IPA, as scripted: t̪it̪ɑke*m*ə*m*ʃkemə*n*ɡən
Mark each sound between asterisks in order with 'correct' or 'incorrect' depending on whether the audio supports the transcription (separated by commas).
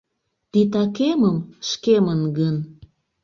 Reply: correct, correct, correct